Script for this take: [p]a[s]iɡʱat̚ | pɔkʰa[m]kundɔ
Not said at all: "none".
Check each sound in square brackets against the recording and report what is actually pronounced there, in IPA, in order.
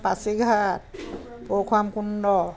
p, s, m

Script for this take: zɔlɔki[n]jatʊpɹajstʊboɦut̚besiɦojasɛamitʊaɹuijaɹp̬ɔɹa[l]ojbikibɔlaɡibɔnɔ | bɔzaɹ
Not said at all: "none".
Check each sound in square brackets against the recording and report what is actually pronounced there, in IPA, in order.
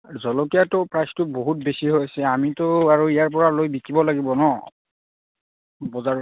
none, l

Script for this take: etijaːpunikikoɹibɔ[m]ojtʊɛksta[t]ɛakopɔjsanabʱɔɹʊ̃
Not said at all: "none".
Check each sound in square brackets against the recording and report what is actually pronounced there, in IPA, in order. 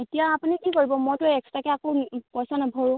m, k

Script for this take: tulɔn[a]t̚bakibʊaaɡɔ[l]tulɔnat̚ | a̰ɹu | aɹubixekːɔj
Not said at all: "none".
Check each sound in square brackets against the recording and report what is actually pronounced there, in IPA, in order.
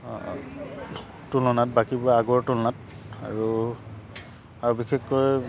a, ɹ

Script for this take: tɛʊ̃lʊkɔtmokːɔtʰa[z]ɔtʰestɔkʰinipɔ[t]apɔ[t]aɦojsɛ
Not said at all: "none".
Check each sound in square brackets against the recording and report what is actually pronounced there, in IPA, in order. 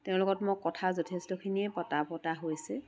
z, t, t

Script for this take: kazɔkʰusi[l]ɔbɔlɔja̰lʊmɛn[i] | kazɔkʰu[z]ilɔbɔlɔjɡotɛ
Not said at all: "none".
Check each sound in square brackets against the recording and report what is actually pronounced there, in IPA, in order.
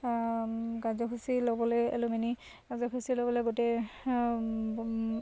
l, i, s

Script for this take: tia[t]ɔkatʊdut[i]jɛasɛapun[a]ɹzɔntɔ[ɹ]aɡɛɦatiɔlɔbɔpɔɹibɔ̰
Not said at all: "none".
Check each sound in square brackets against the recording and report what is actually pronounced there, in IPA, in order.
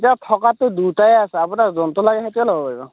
tʰ, a, a, l

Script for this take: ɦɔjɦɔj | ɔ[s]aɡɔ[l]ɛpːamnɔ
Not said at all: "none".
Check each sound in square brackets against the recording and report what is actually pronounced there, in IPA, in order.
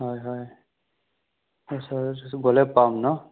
s, l

